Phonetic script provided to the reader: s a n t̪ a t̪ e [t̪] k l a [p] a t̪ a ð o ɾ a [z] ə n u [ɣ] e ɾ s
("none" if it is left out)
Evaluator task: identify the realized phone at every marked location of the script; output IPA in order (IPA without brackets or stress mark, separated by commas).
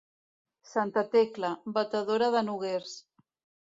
none, b, ð, ɣ